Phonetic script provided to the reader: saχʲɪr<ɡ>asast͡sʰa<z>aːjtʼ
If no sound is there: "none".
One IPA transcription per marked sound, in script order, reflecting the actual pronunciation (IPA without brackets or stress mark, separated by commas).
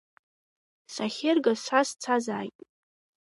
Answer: ɡ, z